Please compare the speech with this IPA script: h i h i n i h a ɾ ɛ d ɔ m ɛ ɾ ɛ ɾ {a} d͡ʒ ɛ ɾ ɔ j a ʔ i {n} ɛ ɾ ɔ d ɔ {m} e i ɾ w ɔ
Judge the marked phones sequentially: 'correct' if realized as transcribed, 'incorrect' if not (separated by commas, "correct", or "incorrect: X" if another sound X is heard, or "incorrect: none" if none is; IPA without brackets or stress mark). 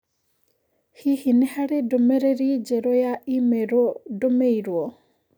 incorrect: i, incorrect: m, correct